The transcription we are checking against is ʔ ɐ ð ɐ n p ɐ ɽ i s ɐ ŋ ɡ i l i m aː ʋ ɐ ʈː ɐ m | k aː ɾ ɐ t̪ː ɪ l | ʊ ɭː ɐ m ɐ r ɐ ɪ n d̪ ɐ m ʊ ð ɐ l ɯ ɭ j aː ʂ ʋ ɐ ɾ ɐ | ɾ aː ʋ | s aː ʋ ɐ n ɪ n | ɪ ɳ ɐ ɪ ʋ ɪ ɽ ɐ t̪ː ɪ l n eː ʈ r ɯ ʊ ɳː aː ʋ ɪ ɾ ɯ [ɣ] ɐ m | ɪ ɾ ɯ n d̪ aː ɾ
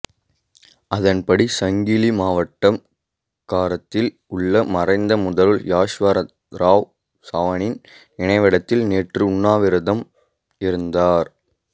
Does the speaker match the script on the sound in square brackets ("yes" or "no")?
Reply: no